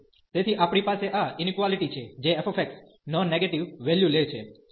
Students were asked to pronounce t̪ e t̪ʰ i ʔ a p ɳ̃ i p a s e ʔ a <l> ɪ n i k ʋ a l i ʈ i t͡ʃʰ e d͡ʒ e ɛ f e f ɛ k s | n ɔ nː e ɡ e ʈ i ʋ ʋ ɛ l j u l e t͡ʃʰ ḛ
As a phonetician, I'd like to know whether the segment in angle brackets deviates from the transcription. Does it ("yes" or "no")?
yes